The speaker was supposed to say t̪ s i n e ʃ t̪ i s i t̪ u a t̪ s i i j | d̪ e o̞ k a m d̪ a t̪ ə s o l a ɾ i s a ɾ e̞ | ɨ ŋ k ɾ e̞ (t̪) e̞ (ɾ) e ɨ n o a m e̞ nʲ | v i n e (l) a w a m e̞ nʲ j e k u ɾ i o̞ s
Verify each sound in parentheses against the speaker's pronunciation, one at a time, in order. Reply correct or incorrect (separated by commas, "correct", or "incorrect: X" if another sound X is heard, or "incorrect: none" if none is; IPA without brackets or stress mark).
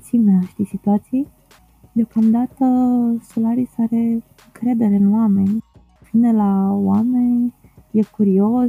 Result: incorrect: d̪, correct, correct